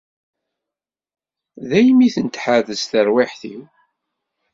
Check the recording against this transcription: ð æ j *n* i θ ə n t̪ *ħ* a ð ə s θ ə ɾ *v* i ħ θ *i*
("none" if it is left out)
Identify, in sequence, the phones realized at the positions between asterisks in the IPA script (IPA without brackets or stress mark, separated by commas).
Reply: m, ħ, w, i